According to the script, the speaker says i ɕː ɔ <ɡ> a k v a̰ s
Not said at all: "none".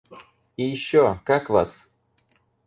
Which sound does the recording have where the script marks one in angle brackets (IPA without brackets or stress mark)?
k